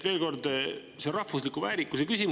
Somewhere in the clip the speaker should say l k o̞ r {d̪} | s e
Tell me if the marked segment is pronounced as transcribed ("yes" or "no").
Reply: yes